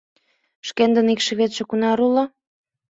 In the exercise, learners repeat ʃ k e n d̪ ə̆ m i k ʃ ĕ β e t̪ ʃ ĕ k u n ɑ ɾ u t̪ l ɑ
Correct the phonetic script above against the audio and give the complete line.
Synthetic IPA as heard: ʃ k e n d̪ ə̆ n i k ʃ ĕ β e t̪ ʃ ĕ k u n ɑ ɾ u l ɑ

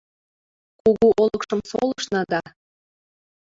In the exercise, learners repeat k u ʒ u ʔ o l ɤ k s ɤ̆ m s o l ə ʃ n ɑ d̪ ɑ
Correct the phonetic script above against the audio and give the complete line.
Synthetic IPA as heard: k u ɣ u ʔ o l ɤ k ʃ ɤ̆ m s o l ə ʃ n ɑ d̪ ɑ

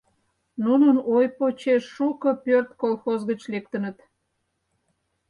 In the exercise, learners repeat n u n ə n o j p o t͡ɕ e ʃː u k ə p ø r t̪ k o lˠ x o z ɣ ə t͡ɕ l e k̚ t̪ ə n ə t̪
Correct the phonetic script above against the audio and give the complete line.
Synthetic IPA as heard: n u n ə n o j p o t͡ɕ e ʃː u k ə p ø r t̪ k o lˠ x o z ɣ ə t͡ɕ l e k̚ t̪ ə n ə t̪

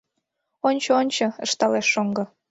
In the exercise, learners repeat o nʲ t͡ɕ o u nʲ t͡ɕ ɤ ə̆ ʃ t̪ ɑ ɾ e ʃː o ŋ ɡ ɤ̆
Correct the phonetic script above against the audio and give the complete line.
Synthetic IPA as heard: o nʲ t͡ɕ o o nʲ t͡ɕ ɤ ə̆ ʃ t̪ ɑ l e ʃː o ŋ ɡ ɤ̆

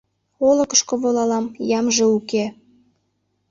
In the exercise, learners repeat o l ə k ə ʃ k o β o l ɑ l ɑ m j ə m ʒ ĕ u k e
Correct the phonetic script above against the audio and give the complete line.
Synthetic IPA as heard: o l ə k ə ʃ k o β o l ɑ l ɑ m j ɑ m ʒ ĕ u k e

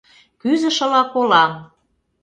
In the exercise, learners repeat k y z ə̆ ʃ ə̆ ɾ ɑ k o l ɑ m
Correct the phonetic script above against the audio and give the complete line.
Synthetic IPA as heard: k y z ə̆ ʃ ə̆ l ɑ k o l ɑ m

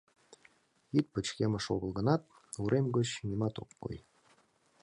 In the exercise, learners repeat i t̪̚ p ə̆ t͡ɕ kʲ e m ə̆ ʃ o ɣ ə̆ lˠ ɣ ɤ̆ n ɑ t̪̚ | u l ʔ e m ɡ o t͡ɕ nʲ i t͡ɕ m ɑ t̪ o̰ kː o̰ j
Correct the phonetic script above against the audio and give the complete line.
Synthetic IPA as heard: i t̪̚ p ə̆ t͡ɕ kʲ e m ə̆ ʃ o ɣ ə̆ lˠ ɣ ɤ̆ n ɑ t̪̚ | u ɾ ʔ e m ɡ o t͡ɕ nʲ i m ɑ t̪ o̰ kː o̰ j

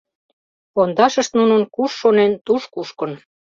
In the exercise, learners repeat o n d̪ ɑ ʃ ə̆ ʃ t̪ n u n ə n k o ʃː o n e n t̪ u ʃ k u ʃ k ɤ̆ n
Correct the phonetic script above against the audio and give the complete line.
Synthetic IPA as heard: o n d̪ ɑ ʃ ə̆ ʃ t̪ n u n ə n k u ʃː o n e n t̪ u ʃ k u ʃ k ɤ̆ n

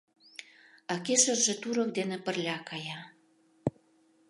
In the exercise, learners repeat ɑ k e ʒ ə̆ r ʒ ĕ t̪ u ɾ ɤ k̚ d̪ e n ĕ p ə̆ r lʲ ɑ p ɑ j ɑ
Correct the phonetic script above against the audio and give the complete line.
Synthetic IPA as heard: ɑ k e ʃ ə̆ r ʒ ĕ t̪ u ɾ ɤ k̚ d̪ e n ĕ p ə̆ r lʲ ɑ k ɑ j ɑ

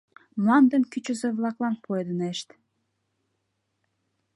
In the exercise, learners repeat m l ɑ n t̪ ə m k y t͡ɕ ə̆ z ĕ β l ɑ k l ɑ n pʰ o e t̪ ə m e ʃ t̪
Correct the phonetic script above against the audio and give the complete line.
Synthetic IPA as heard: m l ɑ n d̪ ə m k y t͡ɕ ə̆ z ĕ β l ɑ k l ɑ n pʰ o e d̪ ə n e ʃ t̪

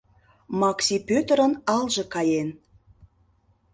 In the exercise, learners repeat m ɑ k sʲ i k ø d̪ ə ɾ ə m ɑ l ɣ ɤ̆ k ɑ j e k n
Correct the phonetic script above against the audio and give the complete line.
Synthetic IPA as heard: m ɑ k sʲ i p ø t̪ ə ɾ ə n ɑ l ʒ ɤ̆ k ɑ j e n

